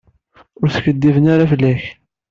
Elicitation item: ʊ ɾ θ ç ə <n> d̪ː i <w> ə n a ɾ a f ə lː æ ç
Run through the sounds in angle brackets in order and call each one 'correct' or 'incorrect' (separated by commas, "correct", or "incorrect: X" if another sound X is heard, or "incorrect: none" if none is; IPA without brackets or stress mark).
incorrect: none, incorrect: v